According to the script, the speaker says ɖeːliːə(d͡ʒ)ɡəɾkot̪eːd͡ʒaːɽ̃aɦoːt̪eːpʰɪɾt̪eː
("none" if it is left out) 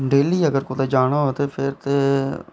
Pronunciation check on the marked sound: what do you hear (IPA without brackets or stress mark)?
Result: none